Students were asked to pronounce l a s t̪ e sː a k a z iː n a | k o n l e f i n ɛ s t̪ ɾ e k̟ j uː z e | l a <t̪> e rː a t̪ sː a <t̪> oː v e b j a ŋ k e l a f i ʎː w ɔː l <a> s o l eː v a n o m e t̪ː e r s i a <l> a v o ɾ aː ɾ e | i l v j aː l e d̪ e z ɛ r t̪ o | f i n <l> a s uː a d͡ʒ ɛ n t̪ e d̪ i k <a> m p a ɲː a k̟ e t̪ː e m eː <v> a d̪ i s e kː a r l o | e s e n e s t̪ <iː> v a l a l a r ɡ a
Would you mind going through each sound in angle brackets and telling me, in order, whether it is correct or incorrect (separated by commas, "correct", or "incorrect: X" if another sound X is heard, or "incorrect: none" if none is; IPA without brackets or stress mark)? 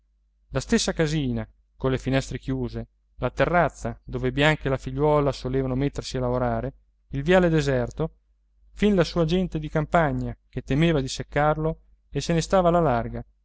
correct, incorrect: d̪, correct, correct, correct, correct, correct, incorrect: aː